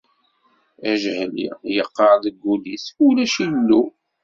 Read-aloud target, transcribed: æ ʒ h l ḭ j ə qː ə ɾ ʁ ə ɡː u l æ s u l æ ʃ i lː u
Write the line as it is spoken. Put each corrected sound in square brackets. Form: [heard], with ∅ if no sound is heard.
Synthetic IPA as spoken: æ ʒ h l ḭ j ə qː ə ɾ [ð] ə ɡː u l [i] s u l æ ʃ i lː u